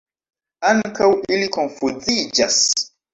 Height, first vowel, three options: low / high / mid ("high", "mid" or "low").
low